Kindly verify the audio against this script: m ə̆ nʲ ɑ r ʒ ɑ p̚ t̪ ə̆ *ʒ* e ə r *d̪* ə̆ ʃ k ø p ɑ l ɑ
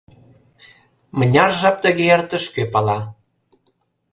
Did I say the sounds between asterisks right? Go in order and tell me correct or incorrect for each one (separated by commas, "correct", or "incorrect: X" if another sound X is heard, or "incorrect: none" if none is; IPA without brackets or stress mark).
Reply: incorrect: ɣ, incorrect: t̪